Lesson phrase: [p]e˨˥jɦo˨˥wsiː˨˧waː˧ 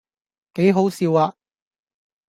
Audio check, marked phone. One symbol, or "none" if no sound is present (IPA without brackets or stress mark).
k